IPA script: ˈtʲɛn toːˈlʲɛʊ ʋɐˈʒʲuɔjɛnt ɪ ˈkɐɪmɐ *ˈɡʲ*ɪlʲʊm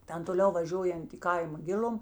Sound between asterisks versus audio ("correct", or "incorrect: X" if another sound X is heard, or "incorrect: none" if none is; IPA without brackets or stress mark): correct